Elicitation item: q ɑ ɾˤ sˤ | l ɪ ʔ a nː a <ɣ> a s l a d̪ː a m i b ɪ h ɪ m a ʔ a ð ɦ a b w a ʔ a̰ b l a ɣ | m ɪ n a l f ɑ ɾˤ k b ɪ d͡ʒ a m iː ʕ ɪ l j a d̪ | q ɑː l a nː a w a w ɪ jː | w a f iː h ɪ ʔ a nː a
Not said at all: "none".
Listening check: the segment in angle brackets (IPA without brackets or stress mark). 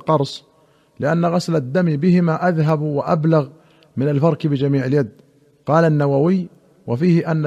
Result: ɣ